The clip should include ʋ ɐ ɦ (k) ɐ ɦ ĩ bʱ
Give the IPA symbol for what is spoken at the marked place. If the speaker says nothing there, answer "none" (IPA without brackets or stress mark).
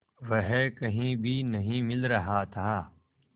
k